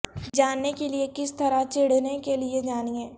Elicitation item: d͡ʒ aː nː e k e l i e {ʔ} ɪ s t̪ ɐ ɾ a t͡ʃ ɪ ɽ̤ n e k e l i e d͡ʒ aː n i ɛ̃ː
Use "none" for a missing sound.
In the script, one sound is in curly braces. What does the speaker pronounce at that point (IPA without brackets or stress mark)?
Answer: k